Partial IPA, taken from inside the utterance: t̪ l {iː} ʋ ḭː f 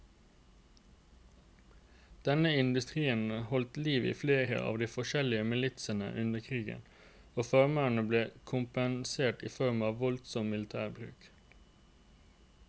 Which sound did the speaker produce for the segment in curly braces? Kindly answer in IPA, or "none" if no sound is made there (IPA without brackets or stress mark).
iː